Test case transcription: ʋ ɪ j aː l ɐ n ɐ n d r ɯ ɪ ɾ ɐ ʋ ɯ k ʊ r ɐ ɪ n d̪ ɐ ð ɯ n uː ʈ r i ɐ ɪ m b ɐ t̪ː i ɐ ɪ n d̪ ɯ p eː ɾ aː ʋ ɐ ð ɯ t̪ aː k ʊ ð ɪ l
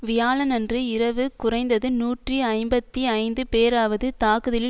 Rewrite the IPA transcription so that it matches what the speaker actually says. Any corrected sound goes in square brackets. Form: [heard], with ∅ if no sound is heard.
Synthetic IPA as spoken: ʋ ɪ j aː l ɐ n ɐ n d r ɯ ɪ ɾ ɐ ʋ ɯ k ʊ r ɐ ɪ n d̪ ɐ ð ɯ n uː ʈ r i ɐ ɪ m b ɐ t̪ː i ɐ ɪ n d̪ ɯ p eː ɾ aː ʋ ɐ ð ɯ t̪ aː k [ɯ] ð ɪ l